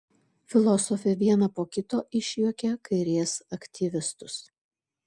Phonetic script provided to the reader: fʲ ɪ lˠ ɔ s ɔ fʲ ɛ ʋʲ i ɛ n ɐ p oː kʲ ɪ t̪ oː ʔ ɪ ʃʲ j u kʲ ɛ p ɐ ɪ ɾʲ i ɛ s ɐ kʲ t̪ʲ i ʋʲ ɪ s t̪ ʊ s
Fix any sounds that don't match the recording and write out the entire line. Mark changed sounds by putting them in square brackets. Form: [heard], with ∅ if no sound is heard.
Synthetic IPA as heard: fʲ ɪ lˠ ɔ s ɔ fʲ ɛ ʋʲ i ɛ n ɐ p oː kʲ ɪ t̪ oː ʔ ɪ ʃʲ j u kʲ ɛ [k] ɐ ɪ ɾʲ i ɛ s ɐ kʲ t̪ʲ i ʋʲ ɪ s t̪ ʊ s

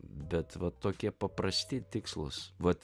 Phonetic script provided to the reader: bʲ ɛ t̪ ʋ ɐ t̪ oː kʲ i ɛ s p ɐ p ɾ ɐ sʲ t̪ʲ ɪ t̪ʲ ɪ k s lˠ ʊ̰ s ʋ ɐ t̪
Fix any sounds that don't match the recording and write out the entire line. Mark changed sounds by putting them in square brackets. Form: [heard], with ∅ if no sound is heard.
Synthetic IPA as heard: bʲ ɛ t̪ ʋ ɐ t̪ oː kʲ i ɛ [∅] p ɐ p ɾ ɐ sʲ t̪ʲ ɪ t̪ʲ ɪ k s lˠ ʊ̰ s ʋ ɐ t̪

